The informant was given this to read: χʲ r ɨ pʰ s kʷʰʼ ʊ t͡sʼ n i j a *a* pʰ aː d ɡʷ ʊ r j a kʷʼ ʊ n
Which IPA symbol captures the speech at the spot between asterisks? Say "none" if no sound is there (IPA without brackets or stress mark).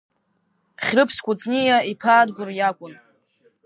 i